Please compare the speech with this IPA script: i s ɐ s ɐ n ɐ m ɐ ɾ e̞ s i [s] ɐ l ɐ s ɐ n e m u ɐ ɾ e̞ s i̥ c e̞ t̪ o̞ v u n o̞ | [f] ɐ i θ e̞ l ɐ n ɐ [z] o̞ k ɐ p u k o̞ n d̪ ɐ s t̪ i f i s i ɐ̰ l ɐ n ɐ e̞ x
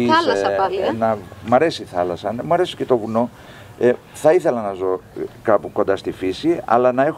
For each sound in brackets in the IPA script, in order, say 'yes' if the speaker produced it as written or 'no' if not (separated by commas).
no, no, yes